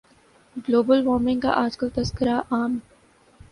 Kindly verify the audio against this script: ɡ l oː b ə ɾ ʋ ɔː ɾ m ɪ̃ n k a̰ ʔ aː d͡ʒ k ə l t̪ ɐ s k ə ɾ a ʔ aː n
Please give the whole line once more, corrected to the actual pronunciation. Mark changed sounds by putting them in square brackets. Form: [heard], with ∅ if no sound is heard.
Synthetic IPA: ɡ l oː b ə [l] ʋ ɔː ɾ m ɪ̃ [ŋ] k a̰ ʔ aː d͡ʒ k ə l t̪ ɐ s k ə ɾ a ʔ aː [m]